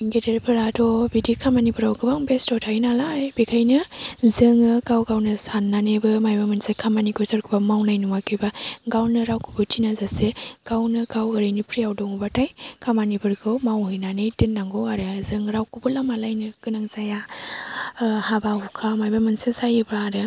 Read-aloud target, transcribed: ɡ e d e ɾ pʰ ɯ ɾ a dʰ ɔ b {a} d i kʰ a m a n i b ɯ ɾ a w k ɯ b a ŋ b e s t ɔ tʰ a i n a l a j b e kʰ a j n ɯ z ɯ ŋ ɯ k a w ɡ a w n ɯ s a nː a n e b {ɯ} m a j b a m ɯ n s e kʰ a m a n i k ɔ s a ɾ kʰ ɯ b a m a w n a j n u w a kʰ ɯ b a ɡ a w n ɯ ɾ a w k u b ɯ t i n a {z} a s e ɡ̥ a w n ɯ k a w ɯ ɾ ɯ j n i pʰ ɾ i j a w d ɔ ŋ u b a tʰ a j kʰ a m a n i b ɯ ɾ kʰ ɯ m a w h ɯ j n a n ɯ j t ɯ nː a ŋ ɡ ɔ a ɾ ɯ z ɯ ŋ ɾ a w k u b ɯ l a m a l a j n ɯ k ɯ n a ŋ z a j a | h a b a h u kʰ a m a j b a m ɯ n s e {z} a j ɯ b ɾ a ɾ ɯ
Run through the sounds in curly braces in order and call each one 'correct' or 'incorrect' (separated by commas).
incorrect, correct, correct, incorrect